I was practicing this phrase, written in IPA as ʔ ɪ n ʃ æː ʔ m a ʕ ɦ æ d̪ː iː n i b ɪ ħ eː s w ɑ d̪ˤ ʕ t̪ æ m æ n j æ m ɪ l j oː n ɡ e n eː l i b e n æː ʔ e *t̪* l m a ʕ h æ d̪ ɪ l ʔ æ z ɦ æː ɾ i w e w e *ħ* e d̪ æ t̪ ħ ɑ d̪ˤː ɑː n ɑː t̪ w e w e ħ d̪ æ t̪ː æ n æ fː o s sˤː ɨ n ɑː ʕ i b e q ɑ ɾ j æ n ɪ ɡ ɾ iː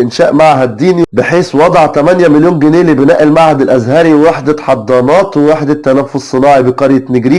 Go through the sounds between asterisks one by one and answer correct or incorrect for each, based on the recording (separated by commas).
incorrect, correct